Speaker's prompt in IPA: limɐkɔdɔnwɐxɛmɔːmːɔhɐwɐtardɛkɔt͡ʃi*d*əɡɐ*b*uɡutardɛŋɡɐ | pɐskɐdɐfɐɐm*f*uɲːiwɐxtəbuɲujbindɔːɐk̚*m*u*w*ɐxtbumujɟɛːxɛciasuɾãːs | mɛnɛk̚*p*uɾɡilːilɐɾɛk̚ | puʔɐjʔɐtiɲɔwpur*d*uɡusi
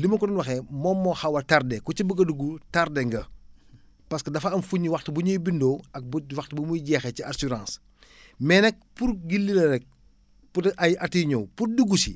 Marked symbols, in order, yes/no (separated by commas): no, no, yes, no, yes, yes, yes